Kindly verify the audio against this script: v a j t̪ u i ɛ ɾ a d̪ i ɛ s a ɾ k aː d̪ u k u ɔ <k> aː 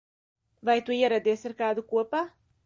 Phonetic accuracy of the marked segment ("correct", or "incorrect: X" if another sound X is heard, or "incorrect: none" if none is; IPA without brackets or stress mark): incorrect: p